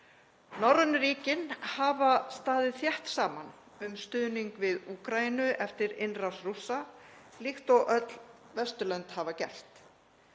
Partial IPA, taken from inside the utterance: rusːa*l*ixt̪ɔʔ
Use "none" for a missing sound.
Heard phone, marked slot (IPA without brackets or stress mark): l